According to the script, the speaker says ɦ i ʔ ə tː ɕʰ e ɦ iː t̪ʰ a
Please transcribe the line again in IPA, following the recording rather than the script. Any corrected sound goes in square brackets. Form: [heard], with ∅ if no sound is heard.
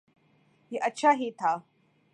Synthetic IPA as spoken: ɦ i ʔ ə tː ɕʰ [a] ɦ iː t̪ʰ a